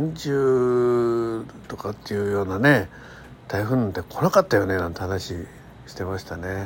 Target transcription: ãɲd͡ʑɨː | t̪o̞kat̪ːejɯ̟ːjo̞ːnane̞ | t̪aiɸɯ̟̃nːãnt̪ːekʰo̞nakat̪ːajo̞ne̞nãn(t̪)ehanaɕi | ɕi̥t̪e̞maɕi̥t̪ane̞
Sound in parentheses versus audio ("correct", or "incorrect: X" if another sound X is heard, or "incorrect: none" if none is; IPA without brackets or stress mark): correct